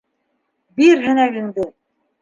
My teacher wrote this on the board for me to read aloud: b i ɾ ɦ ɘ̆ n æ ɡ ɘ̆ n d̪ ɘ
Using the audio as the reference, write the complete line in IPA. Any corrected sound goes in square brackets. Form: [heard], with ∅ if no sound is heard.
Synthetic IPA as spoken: b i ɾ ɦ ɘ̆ n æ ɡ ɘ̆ [ŋ] d̪ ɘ